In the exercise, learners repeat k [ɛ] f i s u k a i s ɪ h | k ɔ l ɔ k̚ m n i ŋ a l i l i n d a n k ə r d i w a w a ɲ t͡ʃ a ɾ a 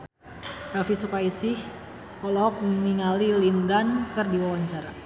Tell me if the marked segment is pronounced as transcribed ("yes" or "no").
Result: no